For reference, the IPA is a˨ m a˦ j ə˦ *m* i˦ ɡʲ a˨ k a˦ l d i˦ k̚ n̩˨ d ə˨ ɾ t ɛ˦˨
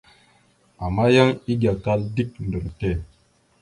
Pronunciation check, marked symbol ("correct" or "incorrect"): incorrect